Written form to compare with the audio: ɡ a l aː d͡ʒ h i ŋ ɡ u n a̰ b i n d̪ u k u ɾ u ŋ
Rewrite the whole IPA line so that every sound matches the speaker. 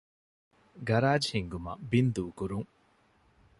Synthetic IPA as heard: ɡ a ɾ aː d͡ʒ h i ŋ ɡ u m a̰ b i n d̪ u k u ɾ u ŋ